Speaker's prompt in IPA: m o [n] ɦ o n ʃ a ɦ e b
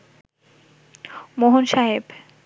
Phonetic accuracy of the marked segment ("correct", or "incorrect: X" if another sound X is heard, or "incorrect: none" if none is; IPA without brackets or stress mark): incorrect: none